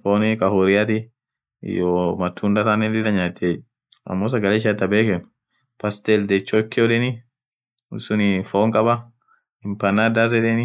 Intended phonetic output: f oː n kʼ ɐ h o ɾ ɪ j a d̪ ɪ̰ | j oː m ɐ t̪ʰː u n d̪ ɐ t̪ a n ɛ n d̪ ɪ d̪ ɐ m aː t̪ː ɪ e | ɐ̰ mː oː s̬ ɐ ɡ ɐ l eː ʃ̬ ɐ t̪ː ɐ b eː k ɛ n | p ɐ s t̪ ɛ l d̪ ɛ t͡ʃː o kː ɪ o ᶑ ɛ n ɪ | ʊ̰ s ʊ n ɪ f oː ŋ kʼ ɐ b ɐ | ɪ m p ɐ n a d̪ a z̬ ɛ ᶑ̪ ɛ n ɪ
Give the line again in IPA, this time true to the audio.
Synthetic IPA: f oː n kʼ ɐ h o ɾ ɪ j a t̪ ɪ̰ | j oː m ɐ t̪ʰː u n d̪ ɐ t̪ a n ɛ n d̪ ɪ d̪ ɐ ɲ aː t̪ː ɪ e | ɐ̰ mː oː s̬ ɐ ɡ ɐ l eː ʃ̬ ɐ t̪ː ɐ b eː k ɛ n | p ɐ s t̪ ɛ l d̪ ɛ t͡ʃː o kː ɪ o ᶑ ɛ n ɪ | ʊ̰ s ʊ n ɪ f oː ŋ kʼ ɐ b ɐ | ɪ m p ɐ n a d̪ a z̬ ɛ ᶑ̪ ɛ n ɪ